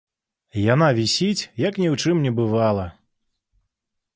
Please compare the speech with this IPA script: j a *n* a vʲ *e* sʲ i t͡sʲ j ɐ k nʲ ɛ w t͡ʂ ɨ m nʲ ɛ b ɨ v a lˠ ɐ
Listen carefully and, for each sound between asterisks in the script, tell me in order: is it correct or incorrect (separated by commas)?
correct, incorrect